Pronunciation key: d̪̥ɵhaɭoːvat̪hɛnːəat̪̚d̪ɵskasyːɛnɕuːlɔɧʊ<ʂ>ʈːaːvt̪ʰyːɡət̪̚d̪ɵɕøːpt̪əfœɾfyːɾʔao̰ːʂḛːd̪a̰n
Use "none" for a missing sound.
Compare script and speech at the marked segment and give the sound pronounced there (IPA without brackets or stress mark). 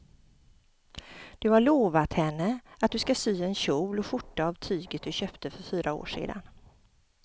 none